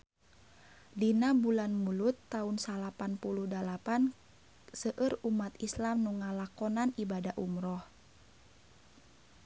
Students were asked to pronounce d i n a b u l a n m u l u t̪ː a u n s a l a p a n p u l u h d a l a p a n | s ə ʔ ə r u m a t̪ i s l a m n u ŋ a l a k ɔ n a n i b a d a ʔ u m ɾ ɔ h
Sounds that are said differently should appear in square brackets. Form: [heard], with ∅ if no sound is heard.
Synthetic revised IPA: d i n a b u l a n m u l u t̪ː a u n s a l a p a n p u l u h d a l a p a n | s ə ʔ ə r u m a t̪ i s l a m n u ŋ a l a k ɔ n a n i b a d a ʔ u m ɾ ɔ h